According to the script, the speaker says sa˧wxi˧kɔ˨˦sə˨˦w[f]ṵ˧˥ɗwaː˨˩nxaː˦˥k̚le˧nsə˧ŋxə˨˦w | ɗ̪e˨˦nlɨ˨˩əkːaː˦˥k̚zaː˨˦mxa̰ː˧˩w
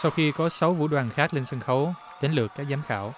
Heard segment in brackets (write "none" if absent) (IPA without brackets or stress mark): v